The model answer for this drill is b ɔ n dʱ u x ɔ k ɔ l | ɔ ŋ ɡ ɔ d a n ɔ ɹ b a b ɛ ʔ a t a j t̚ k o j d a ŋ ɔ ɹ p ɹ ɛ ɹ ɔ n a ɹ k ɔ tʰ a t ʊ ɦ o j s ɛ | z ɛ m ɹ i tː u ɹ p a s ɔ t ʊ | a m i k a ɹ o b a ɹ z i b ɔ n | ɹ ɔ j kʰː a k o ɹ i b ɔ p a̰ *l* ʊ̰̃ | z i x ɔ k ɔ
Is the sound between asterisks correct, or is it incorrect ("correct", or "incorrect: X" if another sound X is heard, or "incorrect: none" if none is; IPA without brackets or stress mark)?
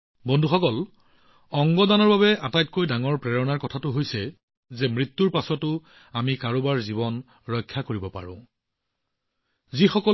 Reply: incorrect: ɹ